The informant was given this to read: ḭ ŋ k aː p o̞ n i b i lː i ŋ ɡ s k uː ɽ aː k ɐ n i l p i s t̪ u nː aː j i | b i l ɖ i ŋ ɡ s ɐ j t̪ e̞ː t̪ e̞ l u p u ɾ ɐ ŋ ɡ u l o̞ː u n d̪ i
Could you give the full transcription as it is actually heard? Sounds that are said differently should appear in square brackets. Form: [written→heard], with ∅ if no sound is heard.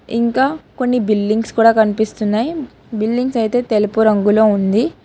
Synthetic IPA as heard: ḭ ŋ k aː [p→k] o̞ [n→nː] i b i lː i ŋ ɡ s k uː ɽ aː k ɐ n i [l→∅] p i s t̪ u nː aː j i | b i l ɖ i ŋ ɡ s ɐ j t̪ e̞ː t̪ e̞ l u p u ɾ ɐ ŋ ɡ u l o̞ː u n d̪ i